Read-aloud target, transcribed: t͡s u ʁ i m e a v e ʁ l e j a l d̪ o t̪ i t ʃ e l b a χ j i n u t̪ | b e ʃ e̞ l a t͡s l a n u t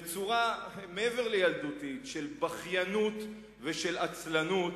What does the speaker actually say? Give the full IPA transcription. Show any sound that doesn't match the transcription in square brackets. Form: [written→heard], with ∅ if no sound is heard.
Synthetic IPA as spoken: t͡s u ʁ [i→a] m e [a→e] v e ʁ l e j a l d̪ [o→u] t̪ i t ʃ e l b a χ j [i→a] n u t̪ | [b→v] e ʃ e̞ l a t͡s l a n u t